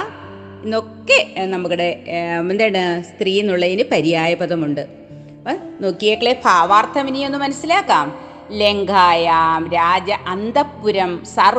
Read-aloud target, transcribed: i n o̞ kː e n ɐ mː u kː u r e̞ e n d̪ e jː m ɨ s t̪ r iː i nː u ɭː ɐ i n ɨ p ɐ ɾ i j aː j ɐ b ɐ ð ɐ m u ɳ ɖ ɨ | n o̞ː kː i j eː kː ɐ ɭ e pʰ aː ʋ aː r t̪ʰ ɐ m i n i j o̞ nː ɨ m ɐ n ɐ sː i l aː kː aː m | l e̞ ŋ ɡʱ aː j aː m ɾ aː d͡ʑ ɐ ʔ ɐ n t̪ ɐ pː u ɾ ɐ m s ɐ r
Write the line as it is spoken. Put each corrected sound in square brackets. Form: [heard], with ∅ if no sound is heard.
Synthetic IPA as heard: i n o̞ kː e n ɐ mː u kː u [ɽ] e̞ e n d̪ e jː [ɳ] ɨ s t̪ r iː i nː u ɭː ɐ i n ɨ p ɐ ɾ i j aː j ɐ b ɐ ð ɐ m u ɳ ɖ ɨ | n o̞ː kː i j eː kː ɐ ɭ e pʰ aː ʋ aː r t̪ʰ ɐ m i n i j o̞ nː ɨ m ɐ n ɐ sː i l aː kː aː m | l e̞ ŋ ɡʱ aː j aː m ɾ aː d͡ʑ ɐ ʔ ɐ n [d̪] ɐ pː u ɾ ɐ m s ɐ r